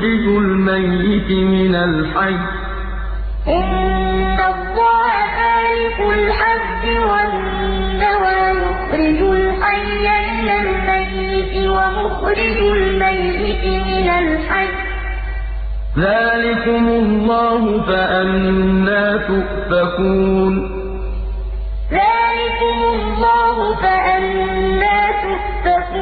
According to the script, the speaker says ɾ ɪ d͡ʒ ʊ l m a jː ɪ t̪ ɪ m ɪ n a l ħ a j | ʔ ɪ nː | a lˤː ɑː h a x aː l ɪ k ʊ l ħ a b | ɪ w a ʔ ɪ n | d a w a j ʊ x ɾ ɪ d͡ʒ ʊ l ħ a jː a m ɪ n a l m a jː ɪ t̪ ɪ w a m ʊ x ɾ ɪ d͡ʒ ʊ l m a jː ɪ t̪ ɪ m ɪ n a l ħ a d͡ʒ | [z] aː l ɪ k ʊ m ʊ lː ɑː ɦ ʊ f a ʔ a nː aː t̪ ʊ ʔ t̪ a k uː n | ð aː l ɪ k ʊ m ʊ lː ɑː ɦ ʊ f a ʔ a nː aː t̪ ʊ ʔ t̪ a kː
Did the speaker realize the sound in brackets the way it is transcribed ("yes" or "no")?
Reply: no